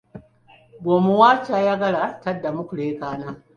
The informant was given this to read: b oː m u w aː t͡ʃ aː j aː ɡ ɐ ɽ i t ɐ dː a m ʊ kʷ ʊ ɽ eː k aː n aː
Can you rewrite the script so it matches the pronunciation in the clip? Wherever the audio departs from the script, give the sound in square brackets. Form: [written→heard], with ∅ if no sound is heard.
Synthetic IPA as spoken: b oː m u w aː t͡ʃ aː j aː ɡ ɐ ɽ [i→a] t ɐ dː a m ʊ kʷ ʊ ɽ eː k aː n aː